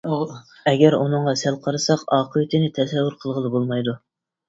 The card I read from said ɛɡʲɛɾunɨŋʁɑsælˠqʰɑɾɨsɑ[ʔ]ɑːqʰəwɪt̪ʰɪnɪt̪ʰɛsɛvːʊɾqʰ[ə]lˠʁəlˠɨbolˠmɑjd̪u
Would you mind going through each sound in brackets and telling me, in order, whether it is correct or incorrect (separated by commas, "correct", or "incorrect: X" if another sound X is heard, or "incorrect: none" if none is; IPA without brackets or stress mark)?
incorrect: q, correct